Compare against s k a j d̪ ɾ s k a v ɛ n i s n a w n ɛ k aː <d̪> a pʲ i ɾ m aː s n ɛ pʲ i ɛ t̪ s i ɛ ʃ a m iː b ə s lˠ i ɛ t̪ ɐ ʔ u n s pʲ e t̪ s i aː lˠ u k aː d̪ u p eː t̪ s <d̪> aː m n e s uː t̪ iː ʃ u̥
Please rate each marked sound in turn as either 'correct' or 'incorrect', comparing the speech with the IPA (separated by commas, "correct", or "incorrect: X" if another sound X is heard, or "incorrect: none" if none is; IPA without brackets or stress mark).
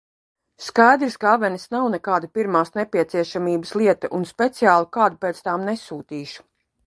correct, incorrect: t̪